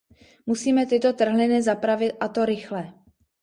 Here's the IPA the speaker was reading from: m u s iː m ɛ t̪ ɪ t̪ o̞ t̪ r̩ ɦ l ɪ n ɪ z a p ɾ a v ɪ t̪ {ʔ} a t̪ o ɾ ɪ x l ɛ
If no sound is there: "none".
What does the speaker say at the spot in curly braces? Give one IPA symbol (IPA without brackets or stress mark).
ʔ